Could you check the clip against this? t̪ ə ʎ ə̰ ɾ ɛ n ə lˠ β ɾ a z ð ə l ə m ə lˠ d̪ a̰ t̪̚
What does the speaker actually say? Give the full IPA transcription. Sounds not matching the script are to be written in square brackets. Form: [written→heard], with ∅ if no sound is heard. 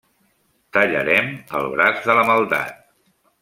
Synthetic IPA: t̪ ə ʎ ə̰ ɾ ɛ [n→m] ə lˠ β ɾ a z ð ə l ə m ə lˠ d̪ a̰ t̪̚